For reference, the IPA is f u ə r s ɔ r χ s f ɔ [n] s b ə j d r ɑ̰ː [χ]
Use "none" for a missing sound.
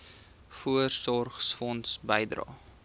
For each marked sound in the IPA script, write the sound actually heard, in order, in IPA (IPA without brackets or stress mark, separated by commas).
n, none